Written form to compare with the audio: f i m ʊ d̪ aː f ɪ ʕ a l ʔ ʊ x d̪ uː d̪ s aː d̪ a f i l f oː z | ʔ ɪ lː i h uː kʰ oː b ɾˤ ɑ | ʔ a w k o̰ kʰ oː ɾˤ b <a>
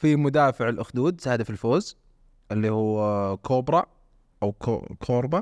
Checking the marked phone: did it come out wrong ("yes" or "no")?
no